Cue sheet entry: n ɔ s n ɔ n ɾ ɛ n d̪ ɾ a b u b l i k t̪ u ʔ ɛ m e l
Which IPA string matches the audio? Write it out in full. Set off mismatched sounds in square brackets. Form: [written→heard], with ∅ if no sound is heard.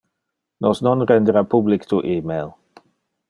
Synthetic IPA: n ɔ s n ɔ n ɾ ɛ n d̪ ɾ a [b→p] u b l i k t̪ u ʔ [ɛ→i] m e l